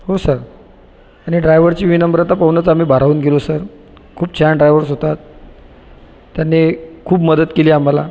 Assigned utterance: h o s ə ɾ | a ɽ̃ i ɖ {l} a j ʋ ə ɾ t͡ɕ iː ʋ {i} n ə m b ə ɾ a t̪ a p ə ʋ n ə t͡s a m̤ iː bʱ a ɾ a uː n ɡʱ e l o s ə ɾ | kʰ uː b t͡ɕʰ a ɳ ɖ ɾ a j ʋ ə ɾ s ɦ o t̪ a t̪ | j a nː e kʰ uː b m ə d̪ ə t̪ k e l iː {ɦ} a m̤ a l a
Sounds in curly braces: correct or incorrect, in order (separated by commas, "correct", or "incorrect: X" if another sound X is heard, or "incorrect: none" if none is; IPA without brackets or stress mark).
incorrect: ɾ, correct, incorrect: none